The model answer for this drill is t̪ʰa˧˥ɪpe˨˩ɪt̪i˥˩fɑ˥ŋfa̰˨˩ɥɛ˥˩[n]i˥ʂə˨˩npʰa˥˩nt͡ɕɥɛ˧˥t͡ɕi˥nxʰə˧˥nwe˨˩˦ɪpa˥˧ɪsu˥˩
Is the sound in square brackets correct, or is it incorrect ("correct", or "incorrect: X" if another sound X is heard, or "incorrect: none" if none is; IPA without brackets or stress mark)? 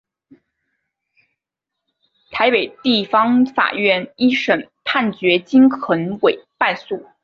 correct